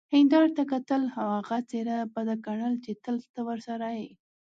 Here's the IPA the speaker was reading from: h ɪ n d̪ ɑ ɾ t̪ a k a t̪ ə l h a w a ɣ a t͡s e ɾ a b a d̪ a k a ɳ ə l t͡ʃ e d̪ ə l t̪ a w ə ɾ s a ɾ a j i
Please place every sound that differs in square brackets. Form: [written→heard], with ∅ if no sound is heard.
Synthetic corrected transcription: h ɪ n d̪ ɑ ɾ t̪ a k a t̪ ə l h a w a ɣ a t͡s e ɾ a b a d̪ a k a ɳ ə l t͡ʃ e [d̪→t̪] ə l t̪ a w ə ɾ s a ɾ a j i